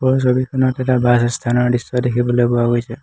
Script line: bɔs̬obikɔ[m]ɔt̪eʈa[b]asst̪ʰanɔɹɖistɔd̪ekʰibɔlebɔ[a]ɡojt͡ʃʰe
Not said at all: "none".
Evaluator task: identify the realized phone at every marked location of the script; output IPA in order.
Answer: n, b, a

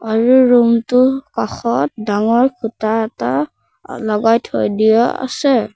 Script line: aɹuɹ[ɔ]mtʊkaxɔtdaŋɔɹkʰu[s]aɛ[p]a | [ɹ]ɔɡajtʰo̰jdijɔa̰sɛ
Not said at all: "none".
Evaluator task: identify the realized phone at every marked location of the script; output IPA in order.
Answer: u, t, t, l

